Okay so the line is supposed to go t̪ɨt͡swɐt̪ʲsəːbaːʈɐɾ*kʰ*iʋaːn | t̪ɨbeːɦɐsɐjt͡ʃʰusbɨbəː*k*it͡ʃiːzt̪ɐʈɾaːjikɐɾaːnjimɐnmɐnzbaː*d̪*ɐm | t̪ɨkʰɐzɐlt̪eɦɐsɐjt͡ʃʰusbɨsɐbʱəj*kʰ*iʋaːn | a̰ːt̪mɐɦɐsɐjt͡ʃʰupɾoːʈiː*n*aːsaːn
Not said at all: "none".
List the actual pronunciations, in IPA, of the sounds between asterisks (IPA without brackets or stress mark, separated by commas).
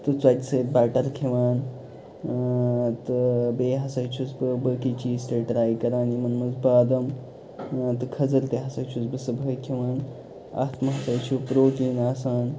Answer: kʰ, k, d̪, kʰ, n